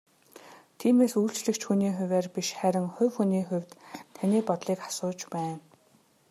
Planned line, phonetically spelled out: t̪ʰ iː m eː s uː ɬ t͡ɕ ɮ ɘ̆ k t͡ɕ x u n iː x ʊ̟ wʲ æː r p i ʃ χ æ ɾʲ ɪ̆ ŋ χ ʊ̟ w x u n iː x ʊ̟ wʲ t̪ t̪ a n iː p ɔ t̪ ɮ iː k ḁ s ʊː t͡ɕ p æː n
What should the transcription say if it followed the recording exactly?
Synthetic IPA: t̪ʰ iː m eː s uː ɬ t͡ɕ ɮ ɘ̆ k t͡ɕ x u n iː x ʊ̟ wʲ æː r p i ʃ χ æ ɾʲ ɪ̆ ŋ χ ʊ̟ w x u n iː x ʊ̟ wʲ t̪ t̪ʰ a n iː p ɔ t̪ ɮ iː k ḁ s ʊː t͡ɕ p æː n